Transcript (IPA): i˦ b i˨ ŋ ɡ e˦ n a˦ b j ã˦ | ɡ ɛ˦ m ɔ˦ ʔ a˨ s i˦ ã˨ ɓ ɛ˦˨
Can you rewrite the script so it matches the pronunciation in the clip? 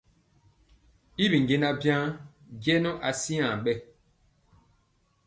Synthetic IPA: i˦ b i˨ ŋ ɡ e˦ n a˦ b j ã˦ | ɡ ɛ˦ n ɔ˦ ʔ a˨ s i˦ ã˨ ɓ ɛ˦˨